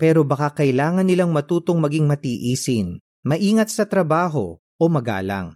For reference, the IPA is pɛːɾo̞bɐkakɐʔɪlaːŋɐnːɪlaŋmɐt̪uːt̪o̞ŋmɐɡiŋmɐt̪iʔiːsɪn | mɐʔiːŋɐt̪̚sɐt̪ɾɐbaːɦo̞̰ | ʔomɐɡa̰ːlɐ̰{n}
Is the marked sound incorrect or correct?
incorrect